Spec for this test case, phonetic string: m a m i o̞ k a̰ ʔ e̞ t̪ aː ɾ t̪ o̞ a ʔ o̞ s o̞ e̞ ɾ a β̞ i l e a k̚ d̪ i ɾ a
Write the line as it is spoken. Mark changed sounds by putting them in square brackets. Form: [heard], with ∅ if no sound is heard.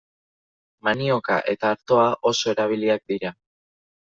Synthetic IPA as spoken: m a [n] i o̞ k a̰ ʔ e̞ t̪ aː ɾ t̪ o̞ a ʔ o̞ s o̞ e̞ ɾ a β̞ i l [i] a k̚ d̪ i ɾ a